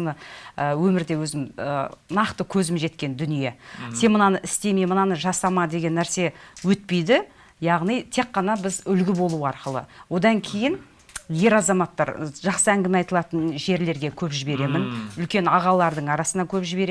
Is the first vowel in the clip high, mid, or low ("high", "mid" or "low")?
mid